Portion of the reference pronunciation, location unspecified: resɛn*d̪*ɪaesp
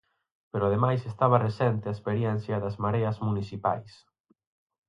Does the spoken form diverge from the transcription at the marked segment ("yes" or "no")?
yes